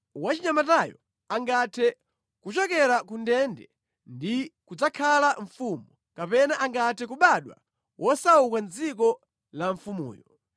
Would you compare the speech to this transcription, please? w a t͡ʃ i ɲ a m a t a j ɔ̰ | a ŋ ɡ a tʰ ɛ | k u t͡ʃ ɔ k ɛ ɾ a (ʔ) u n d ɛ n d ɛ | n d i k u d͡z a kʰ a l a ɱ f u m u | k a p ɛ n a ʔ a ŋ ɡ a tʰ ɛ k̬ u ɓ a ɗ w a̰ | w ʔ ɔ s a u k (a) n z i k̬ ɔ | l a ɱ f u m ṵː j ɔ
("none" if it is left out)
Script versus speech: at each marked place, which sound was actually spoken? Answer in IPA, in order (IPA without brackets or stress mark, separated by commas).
k, a